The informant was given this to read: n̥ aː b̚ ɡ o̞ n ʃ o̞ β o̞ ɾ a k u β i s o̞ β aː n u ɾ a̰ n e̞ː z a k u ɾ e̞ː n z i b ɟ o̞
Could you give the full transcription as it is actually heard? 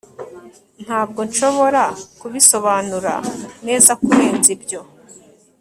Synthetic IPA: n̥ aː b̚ ɡ o̞ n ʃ o̞ β o̞ ɾ a k u β i s o̞ β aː n u ɾ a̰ n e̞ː z a k u ɾ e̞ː n z i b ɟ o̞

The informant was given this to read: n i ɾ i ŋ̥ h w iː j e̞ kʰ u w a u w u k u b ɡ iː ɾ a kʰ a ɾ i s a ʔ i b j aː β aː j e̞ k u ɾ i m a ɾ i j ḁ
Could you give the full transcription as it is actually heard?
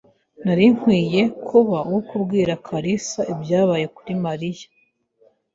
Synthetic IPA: n a ɾ i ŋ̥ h w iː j e̞ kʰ u β a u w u k u b ɡ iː ɾ a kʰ a ɾ i s a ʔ i b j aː β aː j e̞ k u ɾ i m a ɾ i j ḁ

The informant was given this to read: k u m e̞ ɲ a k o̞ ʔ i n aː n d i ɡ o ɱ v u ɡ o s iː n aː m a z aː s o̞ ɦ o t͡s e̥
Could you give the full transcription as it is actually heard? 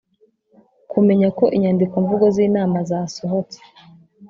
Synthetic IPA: k u m e̞ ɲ a k o̞ ʔ i ɲ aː n d i k o ɱ v u ɡ o z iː n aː m a z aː s o̞ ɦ o t͡s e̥

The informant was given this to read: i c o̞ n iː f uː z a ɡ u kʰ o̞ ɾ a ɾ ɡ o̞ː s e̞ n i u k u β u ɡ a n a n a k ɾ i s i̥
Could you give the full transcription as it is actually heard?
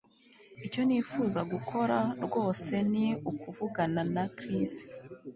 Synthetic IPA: i c o̞ n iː f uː z a ɡ u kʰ o̞ ɾ a ɾ ɡ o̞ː s e̞ n i u k u v u ɡ a n a n a k ɾ i s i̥

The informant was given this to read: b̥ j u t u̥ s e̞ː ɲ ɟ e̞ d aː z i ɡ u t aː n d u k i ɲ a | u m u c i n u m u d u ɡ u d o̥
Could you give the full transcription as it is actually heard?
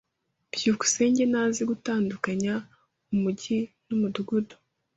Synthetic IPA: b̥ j u k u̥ s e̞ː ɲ ɟ e̞ n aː z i ɡ u t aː n d u k a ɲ a | u m u ɟ i n u m u d u ɡ u d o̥

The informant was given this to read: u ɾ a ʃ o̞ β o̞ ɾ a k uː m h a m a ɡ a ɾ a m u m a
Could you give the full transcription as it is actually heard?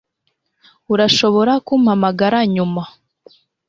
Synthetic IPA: u ɾ a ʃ o̞ β o̞ ɾ a k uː m h a m a ɡ a ɾ a ɲ u m a

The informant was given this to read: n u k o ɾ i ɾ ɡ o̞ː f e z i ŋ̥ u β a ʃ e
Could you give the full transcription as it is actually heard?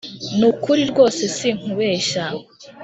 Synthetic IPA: n u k u ɾ i ɾ ɡ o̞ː s e s i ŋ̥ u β e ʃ a

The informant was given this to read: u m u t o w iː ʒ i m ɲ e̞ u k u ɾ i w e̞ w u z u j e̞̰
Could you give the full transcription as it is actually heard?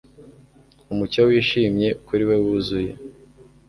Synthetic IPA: u m u c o w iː ʃ i m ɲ e̞ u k u ɾ i w e̞ w u z u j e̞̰

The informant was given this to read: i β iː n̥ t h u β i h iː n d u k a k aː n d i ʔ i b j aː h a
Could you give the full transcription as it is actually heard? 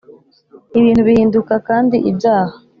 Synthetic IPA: i β iː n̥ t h u β i h iː n d u k a k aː n d i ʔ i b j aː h a

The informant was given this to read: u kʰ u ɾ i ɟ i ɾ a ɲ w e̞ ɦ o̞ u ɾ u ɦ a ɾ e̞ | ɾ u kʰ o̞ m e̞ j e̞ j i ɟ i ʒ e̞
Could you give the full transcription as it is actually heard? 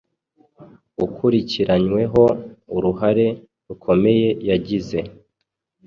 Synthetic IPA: u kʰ u ɾ i c i ɾ a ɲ w e̞ ɦ o̞ u ɾ u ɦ a ɾ e̞ | ɾ u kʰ o̞ m e̞ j e̞ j a ɟ i z e̞

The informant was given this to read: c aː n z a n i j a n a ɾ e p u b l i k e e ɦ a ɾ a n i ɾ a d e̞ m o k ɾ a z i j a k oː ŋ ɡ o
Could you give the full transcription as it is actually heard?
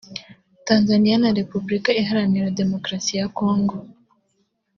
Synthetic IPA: t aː n z a n i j a n a ɾ e p u b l i k a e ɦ a ɾ a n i ɾ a d e̞ m o k ɾ a s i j a k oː ŋ ɡ o

